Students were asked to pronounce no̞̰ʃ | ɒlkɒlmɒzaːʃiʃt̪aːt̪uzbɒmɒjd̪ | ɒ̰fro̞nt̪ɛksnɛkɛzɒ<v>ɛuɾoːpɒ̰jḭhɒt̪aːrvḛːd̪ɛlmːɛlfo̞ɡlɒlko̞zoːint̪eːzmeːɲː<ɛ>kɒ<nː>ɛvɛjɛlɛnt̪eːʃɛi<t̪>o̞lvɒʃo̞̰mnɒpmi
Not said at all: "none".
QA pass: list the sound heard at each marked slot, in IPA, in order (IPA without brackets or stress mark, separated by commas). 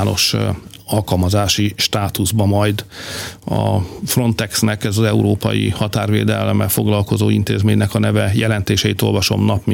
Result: z, ɛ, n, t̪